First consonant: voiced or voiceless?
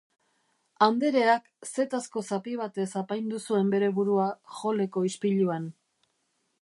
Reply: voiced